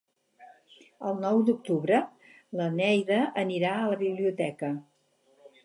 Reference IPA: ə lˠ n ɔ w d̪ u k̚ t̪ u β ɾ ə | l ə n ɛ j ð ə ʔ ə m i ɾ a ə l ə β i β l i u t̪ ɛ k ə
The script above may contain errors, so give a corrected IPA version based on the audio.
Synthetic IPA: ə lˠ n ɔ w d̪ u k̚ t̪ u β ɾ ə | l ə n ɛ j ð ə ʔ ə n i ɾ a ə l ə β i β l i u t̪ ɛ k ə

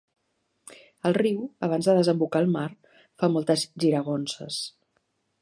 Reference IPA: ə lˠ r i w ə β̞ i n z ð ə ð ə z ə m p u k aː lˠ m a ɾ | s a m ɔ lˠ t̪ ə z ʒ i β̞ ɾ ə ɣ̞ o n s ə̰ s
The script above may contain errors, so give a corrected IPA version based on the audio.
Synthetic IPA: ə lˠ r i w ə β̞ a n z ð ə ð ə z ə m b u k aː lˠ m a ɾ | f a m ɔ lˠ t̪ ə z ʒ i ɾ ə ɣ̞ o n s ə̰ s

